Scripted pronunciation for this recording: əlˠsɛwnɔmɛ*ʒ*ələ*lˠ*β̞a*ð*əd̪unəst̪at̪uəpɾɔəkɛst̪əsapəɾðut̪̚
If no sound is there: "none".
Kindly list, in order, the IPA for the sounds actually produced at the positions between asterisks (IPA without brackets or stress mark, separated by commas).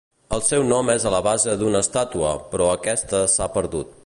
z, none, z